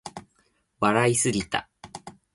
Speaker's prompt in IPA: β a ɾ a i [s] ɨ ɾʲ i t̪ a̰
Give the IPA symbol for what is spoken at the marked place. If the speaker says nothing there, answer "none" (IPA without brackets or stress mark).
s